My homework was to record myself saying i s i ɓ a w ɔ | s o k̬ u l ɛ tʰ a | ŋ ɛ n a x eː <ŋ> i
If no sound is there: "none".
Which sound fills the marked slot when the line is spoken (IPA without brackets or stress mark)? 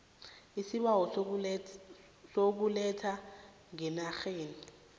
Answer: n